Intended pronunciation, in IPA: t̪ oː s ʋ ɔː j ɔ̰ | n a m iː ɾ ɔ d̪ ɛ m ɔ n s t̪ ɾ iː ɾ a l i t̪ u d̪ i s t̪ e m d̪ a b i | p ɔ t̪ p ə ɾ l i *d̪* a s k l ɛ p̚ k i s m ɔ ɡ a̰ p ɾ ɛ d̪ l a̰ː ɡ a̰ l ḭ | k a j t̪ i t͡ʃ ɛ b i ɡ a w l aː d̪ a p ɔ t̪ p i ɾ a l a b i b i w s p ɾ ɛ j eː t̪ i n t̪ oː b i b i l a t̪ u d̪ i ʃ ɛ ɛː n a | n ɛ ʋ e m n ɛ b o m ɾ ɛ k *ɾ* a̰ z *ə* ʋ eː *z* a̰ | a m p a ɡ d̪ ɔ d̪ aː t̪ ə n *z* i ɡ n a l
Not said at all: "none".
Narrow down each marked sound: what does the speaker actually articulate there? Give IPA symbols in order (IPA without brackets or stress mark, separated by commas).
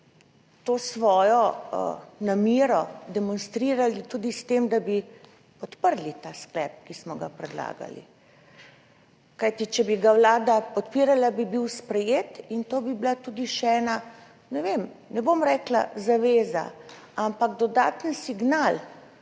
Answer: t̪, l, a, z, s